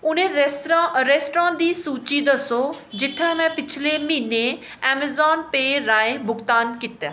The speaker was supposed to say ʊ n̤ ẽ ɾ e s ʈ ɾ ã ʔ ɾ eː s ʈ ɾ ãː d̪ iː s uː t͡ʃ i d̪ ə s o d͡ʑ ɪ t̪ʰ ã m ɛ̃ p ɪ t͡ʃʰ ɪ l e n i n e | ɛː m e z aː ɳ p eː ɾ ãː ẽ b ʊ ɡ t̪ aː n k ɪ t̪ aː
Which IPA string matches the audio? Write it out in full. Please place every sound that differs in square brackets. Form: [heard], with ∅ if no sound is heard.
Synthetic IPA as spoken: ʊ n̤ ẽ ɾ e s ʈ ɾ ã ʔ ɾ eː s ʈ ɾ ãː d̪ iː s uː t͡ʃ i d̪ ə s o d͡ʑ ɪ t̪ʰ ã m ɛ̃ p ɪ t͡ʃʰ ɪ l e [m] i n e | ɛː m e z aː [n] p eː ɾ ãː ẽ b ʊ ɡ t̪ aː n k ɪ t̪ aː